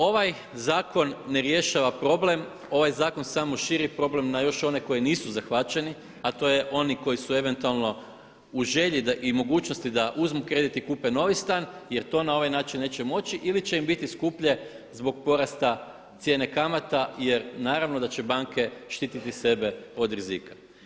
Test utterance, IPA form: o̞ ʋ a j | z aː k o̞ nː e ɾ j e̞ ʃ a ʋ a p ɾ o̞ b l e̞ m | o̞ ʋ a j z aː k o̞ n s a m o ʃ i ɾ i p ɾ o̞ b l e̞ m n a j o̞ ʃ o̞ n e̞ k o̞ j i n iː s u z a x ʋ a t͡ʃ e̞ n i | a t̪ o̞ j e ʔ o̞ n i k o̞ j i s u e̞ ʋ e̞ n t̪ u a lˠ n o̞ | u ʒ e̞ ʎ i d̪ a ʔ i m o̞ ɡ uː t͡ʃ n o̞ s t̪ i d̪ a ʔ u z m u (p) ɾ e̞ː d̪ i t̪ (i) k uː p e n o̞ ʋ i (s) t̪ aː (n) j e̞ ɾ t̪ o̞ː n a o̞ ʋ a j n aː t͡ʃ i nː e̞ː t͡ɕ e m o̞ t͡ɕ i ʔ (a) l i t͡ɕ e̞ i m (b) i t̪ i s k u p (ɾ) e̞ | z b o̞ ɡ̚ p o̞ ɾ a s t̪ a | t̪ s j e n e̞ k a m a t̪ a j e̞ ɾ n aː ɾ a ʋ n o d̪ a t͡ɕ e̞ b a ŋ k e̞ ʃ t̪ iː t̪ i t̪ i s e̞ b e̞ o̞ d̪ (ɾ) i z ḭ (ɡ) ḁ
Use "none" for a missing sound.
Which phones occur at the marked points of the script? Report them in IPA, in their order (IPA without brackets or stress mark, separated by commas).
k, i, s, n, i, b, ʎ, ɾ, k